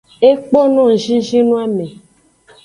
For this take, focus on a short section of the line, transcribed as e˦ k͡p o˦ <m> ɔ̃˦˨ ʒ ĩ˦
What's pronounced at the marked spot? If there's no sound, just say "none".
n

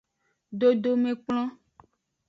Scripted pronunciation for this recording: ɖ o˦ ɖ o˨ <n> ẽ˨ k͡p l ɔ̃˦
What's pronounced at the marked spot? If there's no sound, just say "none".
m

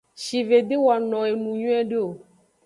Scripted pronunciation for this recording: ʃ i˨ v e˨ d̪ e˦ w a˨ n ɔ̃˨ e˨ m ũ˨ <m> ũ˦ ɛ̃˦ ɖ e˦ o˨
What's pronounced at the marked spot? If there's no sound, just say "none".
ɲ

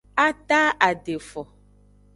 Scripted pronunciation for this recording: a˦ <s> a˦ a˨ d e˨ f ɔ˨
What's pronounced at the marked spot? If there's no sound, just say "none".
t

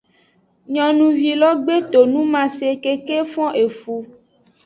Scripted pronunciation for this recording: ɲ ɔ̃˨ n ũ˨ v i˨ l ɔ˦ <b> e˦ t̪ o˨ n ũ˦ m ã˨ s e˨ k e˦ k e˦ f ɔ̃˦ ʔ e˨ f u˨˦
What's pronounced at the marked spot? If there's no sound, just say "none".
ɡ͡b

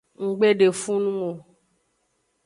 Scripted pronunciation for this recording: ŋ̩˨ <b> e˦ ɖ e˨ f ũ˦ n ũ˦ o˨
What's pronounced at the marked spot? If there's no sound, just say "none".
ɡ͡b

